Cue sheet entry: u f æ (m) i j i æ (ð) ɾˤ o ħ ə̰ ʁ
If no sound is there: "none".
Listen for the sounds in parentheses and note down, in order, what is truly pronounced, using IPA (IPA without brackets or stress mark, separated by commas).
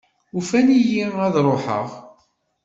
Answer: n, ð